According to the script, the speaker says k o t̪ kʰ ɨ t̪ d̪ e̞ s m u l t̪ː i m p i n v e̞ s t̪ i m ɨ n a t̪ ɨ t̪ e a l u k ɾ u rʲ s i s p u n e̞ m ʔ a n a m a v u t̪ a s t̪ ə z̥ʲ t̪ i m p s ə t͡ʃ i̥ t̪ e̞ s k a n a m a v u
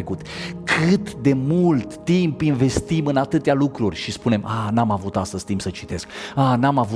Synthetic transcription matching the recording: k u t̪ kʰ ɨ t̪ d̪ e̞ m u l t̪ː i m p i n v e̞ s t̪ i m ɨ n a t̪ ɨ t̪ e a l u k ɾ u rʲ ʃ i s p u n e̞ m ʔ a n a m a v u t̪ a s t̪ ə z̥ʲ t̪ i m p s ə t͡ʃ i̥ t̪ e̞ s k a n a m a v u